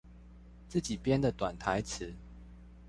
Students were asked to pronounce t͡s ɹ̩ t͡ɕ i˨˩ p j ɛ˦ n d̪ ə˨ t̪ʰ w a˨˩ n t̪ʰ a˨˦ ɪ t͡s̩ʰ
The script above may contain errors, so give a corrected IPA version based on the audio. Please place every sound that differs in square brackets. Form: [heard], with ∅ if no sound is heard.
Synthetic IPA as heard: t͡s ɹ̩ t͡ɕ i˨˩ p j ɛ˦ n d̪ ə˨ [t̪] w a˨˩ n t̪ʰ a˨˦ ɪ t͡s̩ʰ